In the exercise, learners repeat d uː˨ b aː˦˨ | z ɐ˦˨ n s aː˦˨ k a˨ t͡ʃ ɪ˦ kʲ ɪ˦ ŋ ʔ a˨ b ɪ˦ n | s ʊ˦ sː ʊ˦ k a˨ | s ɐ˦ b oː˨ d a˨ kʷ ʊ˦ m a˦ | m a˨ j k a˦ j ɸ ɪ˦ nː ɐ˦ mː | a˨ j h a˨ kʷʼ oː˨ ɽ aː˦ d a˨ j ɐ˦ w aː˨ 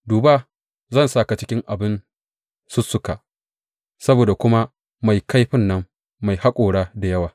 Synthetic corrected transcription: d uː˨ b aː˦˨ | z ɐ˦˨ n s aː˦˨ k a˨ t͡ʃ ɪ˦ kʲ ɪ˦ ŋ ʔ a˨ b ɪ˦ n | s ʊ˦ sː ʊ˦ k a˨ | s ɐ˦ b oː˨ d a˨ kʷ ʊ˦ m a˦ | m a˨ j k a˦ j ɸ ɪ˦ nː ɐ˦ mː | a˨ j h a˦ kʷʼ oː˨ ɽ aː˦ d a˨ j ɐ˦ w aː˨